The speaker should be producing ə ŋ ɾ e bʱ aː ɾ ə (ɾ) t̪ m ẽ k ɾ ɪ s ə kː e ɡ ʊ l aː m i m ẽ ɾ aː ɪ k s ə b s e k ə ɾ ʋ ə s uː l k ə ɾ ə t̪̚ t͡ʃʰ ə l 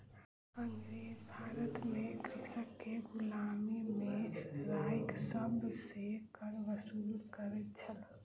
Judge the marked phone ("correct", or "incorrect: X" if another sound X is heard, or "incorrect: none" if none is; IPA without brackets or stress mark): incorrect: none